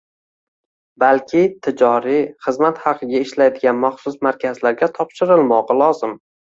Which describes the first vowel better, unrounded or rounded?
unrounded